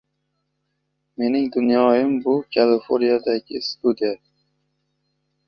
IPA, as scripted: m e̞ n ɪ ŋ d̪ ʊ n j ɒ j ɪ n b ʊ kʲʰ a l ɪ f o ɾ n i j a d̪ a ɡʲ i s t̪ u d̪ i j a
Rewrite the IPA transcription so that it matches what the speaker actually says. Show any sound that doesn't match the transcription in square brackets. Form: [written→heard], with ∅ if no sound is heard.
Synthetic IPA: m e̞ n ɪ ŋ d̪ ʊ n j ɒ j ɪ [n→m] b ʊ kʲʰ a l ɪ f o ɾ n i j a d̪ a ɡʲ [i→ɪ] s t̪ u d̪ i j a